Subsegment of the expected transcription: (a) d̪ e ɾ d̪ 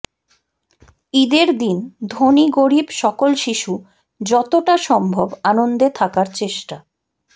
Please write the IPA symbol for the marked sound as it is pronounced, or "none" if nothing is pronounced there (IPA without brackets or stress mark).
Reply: i